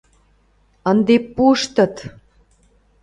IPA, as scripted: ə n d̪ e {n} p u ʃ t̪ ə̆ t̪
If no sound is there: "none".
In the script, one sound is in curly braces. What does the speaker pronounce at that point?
none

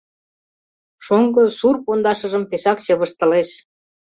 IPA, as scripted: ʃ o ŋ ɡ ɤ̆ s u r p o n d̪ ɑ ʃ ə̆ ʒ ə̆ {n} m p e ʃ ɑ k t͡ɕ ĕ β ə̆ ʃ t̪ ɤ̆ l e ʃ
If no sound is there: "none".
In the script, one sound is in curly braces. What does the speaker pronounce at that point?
none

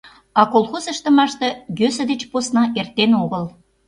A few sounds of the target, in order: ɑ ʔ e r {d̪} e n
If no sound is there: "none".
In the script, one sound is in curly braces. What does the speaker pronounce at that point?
t̪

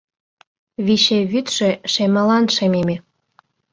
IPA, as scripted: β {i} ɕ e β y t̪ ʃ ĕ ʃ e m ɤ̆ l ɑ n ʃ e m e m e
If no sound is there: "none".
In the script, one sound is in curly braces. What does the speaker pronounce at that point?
i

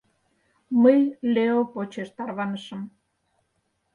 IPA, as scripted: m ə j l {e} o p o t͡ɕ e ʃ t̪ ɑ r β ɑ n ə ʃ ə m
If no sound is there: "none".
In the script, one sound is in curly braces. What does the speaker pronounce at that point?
e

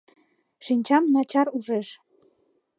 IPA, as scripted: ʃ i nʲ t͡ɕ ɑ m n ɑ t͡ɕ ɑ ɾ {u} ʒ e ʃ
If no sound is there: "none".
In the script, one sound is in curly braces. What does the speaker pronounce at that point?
u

